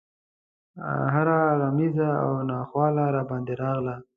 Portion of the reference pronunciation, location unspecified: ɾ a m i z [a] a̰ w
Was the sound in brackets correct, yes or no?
yes